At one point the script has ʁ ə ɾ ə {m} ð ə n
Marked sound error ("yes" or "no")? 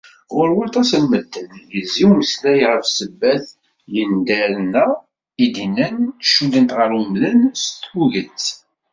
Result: no